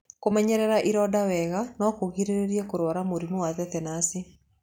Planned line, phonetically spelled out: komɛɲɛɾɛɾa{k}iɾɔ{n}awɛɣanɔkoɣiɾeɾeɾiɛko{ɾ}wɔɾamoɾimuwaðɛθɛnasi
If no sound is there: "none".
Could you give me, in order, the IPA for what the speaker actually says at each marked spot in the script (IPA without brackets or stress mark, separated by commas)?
ʔ, d, ɾ